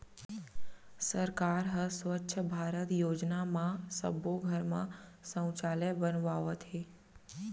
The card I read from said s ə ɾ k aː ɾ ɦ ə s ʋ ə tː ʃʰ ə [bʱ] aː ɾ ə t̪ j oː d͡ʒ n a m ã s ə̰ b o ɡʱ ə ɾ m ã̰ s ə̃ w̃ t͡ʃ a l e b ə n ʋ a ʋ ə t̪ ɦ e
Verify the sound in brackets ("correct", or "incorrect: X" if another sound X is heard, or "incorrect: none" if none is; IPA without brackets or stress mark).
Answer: correct